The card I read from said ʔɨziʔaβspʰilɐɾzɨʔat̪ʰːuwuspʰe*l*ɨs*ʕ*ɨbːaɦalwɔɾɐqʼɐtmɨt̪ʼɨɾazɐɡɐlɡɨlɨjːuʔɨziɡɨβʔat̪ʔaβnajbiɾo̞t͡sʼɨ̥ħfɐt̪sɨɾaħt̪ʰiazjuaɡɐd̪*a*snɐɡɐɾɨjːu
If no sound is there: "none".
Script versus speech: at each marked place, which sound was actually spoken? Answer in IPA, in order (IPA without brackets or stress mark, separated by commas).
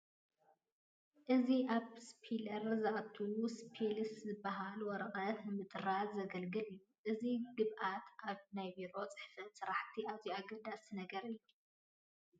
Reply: l, z, a